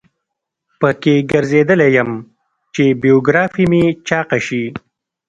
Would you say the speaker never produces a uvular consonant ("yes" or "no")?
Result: no